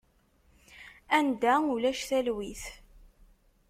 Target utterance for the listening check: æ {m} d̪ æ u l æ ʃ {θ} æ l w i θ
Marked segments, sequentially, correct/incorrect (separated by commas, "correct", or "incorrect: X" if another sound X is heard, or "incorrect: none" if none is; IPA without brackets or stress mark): incorrect: n, correct